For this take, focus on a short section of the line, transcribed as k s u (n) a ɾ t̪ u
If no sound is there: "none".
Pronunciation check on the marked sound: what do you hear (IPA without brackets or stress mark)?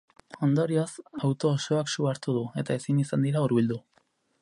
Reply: none